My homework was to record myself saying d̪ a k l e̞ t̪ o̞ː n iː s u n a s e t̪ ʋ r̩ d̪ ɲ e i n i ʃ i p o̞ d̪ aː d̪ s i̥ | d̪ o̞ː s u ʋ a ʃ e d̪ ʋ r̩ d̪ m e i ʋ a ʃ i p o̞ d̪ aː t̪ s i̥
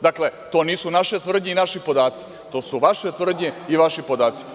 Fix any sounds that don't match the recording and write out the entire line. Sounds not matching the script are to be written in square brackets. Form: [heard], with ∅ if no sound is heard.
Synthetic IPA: d̪ a k l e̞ t̪ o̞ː n iː s u n a [ʃ] e t̪ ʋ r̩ d̪ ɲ e i n [a] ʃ i p o̞ d̪ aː [t̪] s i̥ | [t̪] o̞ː s u ʋ a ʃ e [t̪] ʋ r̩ d̪ [ɲ] e i ʋ a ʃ i p o̞ d̪ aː t̪ s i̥